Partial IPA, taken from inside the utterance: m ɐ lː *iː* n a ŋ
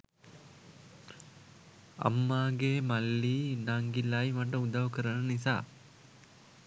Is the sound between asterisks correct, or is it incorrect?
correct